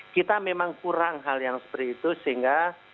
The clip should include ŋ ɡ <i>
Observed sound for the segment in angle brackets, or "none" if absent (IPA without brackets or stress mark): a